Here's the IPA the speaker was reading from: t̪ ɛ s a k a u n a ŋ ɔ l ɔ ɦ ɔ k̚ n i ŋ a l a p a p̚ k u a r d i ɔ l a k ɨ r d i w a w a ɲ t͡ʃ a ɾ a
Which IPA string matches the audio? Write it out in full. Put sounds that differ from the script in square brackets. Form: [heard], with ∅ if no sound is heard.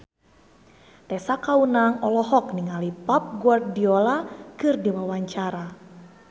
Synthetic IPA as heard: t̪ ɛ s a k a u n a ŋ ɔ l ɔ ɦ ɔ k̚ n i ŋ a l [i] p a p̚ [ɡ] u a r d i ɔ l a k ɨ r d i w a w a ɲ t͡ʃ a ɾ a

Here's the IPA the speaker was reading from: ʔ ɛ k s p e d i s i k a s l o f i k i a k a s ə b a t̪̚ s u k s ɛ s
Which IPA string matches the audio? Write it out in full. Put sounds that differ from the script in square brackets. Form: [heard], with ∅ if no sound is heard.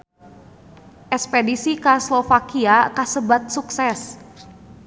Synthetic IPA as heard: ʔ ɛ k s p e d i s i k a s l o f [a] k i a k a s ə b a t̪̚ s u k s ɛ s

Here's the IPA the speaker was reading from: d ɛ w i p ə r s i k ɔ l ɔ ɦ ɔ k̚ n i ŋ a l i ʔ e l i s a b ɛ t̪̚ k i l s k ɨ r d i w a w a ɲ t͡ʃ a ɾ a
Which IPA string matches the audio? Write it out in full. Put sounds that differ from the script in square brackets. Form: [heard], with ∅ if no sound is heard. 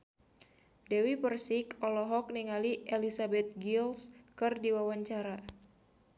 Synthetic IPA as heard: d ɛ w i p ə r s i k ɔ l ɔ ɦ ɔ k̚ n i ŋ a l i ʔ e l i s a b ɛ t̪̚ [ɡ] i l s k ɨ r d i w a w a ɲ t͡ʃ a ɾ a

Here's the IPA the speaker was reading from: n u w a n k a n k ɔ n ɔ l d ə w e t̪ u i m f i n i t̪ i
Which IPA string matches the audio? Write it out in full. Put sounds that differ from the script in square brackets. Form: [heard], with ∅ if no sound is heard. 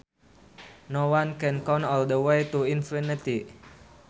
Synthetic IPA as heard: n [o] w a n k [ɛ] n k ɔ n ɔ l d ə w e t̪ u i [n] f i n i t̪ i

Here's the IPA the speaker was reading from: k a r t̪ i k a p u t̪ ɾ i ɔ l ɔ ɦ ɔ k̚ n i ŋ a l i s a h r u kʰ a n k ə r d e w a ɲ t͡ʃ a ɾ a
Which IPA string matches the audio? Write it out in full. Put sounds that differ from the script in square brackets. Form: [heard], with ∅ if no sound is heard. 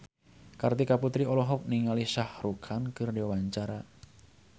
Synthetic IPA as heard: k a r t̪ i k a p u t̪ ɾ i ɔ l ɔ ɦ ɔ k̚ n i ŋ a l i s a h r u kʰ a n k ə r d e w a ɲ t͡ʃ a ɾ a

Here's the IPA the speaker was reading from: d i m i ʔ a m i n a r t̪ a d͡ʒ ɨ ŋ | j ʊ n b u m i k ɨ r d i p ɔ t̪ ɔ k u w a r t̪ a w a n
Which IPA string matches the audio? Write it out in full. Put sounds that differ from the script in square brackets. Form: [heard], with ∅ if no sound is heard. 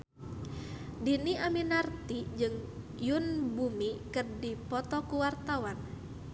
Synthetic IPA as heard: d i [n] i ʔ a m i n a r t̪ [i] d͡ʒ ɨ ŋ | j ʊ n b u m i k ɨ r d i p ɔ t̪ ɔ k u w a r t̪ a w a n

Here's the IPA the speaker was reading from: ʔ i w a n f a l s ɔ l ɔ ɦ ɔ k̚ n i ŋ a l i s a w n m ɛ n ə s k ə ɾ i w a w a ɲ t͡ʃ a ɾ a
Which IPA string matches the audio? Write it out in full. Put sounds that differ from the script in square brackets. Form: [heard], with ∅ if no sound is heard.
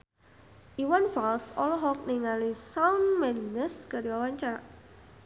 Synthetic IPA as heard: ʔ i w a n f a l s ɔ l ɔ ɦ ɔ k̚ n i ŋ a l i s a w n m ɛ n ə s k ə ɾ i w a w a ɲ t͡ʃ a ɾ a

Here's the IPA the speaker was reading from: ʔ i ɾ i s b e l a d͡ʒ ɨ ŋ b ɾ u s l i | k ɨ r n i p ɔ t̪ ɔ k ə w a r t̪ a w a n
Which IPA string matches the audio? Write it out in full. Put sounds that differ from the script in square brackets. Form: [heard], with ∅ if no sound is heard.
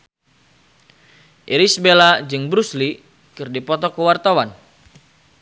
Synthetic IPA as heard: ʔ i ɾ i s b e l a d͡ʒ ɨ ŋ b ɾ u s l i | k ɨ r [d] i p ɔ t̪ ɔ k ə w a r t̪ a w a n

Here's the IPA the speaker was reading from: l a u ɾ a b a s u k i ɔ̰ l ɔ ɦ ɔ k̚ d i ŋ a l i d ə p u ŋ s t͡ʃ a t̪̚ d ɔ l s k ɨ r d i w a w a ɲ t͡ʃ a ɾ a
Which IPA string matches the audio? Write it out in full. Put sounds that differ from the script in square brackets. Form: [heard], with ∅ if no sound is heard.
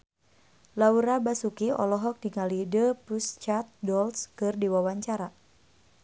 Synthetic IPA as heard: l a u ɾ a b a s u k i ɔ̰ l ɔ ɦ ɔ k̚ d i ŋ a l i d ə p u [∅] s t͡ʃ a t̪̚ d ɔ l s k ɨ r d i w a w a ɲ t͡ʃ a ɾ a

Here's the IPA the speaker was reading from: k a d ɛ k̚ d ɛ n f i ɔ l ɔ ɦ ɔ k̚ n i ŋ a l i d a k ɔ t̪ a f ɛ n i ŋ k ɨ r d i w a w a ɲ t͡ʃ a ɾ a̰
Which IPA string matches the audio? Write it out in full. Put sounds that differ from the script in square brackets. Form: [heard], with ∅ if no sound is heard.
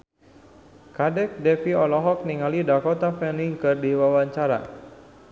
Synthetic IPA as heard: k a d ɛ k̚ d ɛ [∅] f i ɔ l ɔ ɦ ɔ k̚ n i ŋ a l i d a k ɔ t̪ a f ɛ n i ŋ k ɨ r d i w a w a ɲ t͡ʃ a ɾ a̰

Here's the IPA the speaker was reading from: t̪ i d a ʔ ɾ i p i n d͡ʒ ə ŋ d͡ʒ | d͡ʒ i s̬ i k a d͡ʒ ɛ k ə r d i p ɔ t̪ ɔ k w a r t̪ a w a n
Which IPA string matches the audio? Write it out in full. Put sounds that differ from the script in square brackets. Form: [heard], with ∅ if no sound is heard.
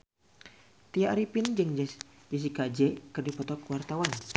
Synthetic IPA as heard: t̪ i [∅] a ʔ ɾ i p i n d͡ʒ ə ŋ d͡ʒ | d͡ʒ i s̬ i k a d͡ʒ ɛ k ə r d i p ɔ t̪ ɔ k w a r t̪ a w a n

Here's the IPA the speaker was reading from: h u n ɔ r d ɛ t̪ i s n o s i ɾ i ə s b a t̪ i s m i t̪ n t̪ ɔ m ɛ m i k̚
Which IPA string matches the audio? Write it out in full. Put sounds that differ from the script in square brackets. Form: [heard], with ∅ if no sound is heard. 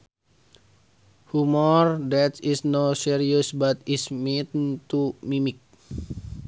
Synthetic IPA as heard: h u [m] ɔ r d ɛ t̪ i s n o s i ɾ i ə s b a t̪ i s m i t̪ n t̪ [u] m [i] m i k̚

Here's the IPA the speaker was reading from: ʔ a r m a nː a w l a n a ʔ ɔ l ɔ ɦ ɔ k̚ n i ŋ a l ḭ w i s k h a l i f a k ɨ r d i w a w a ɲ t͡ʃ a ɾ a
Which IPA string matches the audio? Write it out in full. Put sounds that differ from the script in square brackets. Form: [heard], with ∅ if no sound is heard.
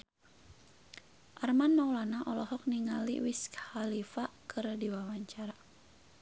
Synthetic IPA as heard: ʔ a r m a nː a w l a n a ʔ ɔ l ɔ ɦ ɔ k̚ n i ŋ a l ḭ w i s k h a l i f a k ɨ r d i w a w a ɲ t͡ʃ a ɾ a

